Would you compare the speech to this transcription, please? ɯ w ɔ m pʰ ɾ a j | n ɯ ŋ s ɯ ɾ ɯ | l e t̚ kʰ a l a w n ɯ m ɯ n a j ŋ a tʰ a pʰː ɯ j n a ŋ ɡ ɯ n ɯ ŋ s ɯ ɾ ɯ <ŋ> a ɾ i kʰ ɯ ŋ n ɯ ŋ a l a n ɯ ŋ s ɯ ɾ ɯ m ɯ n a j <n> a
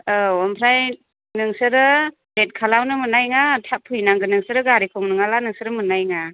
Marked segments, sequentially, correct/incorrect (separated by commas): incorrect, incorrect